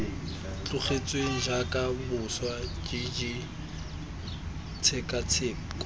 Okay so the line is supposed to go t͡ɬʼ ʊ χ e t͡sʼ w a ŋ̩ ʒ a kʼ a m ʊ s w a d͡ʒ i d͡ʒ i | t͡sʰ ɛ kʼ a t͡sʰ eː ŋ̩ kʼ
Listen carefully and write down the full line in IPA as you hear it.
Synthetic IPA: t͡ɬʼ ʊ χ e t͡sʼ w e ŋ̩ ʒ a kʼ a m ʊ s w a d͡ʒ i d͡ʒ i | t͡sʰ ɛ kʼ a t͡sʰ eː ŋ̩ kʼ